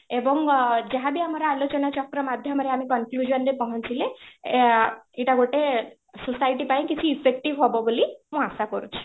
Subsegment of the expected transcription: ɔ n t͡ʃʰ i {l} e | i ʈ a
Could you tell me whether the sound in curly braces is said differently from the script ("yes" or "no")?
no